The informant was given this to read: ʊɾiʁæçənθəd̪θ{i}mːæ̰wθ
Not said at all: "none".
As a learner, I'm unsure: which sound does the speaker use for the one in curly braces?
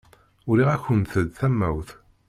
æ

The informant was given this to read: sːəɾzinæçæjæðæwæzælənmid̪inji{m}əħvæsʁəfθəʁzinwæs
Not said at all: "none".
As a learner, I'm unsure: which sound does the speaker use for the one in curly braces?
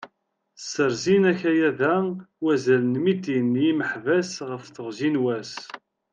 m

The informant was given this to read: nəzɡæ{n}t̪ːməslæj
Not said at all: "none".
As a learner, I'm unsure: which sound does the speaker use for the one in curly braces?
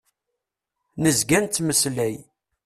n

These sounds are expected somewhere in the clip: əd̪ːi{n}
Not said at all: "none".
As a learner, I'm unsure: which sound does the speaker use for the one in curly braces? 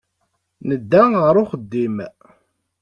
m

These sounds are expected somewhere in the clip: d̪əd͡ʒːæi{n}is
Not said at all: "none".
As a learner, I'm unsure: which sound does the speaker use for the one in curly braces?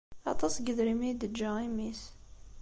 m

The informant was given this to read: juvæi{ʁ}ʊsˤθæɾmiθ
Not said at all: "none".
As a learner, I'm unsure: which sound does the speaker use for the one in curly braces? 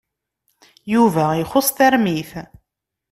χ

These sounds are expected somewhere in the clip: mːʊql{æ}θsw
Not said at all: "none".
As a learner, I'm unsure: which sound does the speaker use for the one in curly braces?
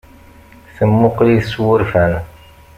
i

